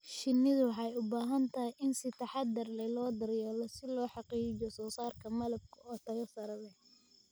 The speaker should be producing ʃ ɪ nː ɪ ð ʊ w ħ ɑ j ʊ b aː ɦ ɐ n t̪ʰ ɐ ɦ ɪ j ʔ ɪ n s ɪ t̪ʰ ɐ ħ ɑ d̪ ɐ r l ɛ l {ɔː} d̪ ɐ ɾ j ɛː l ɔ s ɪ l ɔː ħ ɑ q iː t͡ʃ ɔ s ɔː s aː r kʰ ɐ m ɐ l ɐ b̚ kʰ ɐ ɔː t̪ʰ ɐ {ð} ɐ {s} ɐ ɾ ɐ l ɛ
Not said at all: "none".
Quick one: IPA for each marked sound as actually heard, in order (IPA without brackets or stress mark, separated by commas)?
ɔː, ɣ, s